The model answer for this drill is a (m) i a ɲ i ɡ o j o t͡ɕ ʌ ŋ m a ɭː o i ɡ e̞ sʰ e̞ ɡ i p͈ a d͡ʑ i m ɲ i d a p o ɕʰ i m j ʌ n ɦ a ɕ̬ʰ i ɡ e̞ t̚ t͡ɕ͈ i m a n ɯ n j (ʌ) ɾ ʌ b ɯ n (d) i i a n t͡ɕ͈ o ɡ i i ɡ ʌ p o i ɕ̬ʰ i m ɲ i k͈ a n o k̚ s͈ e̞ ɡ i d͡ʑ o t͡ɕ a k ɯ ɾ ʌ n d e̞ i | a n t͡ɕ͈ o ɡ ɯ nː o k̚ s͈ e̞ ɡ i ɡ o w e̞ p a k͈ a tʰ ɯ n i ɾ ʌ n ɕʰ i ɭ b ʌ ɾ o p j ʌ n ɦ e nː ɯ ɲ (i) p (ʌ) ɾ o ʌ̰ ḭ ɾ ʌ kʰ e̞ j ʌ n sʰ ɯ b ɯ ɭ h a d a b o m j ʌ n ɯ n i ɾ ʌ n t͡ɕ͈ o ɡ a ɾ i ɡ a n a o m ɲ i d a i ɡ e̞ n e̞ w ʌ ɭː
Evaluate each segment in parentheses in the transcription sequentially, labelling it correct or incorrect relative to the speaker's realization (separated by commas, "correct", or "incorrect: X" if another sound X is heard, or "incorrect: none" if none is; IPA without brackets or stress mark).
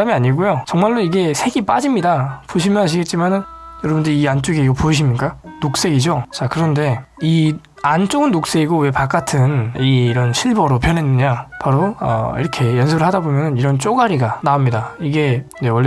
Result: correct, correct, correct, incorrect: a, incorrect: a